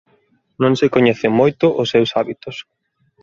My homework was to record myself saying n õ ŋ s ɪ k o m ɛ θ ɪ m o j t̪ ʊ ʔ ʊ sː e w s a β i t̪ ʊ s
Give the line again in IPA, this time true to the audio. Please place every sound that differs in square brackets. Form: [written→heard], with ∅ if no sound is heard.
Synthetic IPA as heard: n õ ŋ s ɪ k o [m→ɲ] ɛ θ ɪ m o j t̪ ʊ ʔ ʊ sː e w s a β i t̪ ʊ s